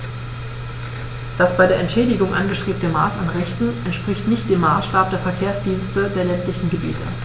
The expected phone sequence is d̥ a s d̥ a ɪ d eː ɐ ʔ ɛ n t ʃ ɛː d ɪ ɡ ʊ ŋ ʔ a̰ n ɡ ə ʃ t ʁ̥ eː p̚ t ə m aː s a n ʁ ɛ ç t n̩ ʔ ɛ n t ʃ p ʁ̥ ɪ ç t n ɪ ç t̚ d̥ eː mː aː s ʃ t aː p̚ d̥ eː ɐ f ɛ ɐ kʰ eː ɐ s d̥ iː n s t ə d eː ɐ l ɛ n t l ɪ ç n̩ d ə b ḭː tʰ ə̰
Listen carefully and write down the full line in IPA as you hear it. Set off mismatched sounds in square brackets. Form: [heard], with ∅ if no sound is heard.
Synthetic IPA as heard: d̥ a s [b̥] a ɪ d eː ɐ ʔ ɛ n t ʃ ɛː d ɪ ɡ ʊ ŋ ʔ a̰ n ɡ ə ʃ t ʁ̥ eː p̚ t ə m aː s a n ʁ ɛ ç t n̩ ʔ ɛ n t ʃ p ʁ̥ ɪ ç t n ɪ ç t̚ d̥ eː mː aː s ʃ t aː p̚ d̥ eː ɐ f ɛ ɐ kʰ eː ɐ s d̥ iː n s t ə d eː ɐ l ɛ n t l ɪ ç n̩ [ɡ] ə b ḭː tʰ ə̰